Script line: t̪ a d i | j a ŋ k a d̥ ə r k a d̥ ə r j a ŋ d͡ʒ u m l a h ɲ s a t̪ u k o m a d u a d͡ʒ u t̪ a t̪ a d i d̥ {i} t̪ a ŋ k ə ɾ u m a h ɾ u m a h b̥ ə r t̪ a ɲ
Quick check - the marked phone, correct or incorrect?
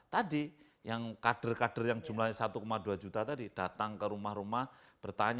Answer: incorrect